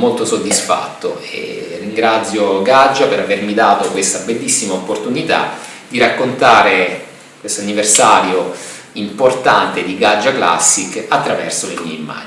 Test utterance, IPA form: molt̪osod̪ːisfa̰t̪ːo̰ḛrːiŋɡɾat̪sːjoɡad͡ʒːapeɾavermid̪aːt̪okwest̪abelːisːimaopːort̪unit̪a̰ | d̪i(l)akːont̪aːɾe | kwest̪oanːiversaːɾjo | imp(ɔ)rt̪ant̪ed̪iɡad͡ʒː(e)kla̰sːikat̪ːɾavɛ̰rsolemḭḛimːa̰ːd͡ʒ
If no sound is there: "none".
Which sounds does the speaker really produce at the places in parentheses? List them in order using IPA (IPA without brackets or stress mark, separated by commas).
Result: ɾ, o, a